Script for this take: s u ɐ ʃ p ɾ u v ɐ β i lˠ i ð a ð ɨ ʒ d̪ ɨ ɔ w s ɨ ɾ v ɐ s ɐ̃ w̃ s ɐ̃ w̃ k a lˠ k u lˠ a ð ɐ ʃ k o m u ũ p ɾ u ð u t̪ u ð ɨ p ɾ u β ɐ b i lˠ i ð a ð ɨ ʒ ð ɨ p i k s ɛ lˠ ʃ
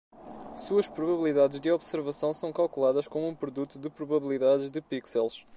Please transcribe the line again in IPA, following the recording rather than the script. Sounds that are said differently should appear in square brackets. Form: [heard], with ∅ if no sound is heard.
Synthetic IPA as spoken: s u ɐ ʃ p ɾ u [β] ɐ β i lˠ i ð a ð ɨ ʒ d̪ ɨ ɔ [β] s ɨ ɾ v ɐ s ɐ̃ w̃ s ɐ̃ w̃ k a lˠ k u lˠ a ð ɐ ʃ k o m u ũ p ɾ u ð u t̪ u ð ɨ p ɾ u β ɐ [β] i lˠ i ð a ð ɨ ʒ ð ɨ p i k s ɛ lˠ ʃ